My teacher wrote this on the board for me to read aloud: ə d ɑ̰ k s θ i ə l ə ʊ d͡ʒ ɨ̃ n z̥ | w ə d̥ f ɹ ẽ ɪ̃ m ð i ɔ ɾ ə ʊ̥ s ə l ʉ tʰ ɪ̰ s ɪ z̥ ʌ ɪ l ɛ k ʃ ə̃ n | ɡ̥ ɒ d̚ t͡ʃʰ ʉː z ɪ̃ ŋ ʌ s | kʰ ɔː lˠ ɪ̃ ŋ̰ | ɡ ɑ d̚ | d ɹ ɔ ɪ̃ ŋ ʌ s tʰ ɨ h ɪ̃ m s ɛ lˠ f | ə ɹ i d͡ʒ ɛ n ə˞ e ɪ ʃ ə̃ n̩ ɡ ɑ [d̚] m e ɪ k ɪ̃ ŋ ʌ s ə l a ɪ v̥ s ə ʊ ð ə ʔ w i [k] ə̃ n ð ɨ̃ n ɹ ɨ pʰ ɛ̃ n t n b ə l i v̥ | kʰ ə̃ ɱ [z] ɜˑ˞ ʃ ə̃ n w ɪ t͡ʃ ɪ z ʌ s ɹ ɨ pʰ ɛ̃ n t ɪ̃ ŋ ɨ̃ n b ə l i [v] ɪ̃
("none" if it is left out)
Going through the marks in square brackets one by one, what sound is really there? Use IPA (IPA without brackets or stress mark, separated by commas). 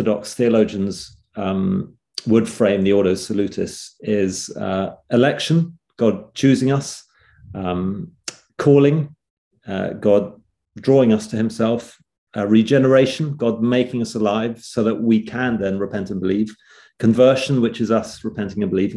d̚, kʰ, v, v